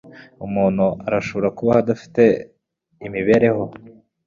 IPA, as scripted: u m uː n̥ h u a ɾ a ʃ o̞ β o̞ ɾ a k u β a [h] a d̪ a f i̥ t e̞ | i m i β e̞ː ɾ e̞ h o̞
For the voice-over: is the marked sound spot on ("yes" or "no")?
yes